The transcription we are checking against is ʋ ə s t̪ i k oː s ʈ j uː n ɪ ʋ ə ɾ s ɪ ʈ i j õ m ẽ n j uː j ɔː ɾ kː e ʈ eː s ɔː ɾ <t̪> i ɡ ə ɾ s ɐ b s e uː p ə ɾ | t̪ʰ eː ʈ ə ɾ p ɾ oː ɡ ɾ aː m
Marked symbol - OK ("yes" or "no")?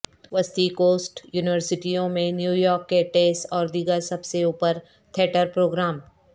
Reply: no